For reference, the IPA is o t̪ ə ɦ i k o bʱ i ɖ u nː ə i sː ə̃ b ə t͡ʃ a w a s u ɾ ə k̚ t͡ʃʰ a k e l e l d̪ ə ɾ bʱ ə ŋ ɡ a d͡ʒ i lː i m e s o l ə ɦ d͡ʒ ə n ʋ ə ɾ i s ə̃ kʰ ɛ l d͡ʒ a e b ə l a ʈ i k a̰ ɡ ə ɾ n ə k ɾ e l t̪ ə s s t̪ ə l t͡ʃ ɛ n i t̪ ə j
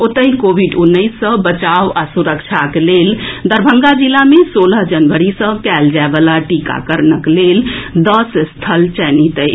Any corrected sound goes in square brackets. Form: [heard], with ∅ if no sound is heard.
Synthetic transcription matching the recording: o t̪ ə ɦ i k o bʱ i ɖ u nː ə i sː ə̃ b ə t͡ʃ a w a s u ɾ ə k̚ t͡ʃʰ a k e l e l d̪ ə ɾ bʱ ə ŋ ɡ a d͡ʒ i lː [a] m e s o l ə ɦ d͡ʒ ə n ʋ ə ɾ i s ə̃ [k] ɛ l d͡ʒ a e b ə l a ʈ i k a̰ [k] ə ɾ n ə k [l] e l [d̪] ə s s [t̪ʰ] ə l t͡ʃ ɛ n i t̪ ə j